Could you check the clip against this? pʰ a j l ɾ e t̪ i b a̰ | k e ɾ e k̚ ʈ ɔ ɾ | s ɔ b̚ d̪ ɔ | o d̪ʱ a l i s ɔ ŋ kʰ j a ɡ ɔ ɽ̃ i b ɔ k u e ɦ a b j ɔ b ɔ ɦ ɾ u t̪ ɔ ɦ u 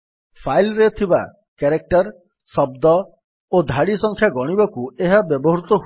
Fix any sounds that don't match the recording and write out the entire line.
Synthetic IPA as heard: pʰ a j l ɾ e t̪ʰ i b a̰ | k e ɾ e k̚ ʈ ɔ ɾ | s ɔ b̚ d̪ ɔ | o d̪ʱ a ɽ i s ɔ ŋ kʰ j a ɡ ɔ ɽ̃ i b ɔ k u e ɦ a b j ɔ b ɔ ɦ ɾ u t̪ ɔ ɦ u